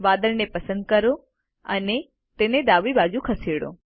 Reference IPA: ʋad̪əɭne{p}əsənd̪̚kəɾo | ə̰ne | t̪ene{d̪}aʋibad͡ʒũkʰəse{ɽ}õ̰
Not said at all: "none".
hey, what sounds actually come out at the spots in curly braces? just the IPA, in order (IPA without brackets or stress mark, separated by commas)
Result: p, d̪, ɽ